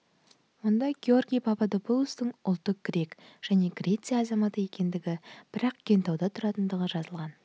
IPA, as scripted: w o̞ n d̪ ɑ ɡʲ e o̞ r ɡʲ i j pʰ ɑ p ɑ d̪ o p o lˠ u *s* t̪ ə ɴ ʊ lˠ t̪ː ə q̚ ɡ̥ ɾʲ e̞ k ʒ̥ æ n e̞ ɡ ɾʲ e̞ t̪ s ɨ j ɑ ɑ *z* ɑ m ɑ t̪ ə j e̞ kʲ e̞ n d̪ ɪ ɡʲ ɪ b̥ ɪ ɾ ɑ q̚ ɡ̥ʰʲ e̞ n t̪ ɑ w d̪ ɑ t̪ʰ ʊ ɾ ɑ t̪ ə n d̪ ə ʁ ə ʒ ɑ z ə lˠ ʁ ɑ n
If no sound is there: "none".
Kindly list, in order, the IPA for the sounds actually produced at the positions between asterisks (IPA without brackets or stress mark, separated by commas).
s, z